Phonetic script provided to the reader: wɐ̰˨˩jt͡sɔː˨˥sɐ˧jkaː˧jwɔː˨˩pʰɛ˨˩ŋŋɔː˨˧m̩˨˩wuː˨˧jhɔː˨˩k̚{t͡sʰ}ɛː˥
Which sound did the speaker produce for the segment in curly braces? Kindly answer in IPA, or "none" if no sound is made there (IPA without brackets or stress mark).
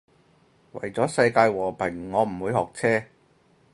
t͡sʰ